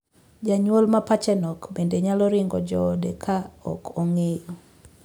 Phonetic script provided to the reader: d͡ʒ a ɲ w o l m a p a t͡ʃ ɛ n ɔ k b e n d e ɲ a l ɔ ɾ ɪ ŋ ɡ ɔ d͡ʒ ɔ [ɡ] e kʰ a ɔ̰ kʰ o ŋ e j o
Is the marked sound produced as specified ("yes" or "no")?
no